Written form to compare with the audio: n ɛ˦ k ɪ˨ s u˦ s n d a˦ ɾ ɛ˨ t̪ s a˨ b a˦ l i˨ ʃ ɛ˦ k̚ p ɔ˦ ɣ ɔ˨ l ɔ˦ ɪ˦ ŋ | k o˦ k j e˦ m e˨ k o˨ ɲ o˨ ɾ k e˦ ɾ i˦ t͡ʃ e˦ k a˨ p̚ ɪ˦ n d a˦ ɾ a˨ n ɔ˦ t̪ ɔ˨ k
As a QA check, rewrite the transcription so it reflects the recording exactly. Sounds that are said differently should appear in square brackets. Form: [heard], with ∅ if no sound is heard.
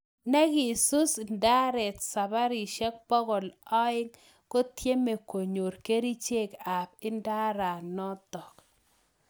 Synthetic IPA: n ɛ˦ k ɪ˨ s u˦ s n d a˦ ɾ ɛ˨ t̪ s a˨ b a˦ [ɾ] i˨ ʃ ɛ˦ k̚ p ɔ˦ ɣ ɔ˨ l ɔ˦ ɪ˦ ŋ | k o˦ [t] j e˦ m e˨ k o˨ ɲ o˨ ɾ k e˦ ɾ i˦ t͡ʃ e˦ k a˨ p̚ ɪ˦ n d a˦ ɾ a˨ n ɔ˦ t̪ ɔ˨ k